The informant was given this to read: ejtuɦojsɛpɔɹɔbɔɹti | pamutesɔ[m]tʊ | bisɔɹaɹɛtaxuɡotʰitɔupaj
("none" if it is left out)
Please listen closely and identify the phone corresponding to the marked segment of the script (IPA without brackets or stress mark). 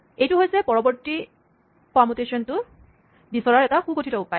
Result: n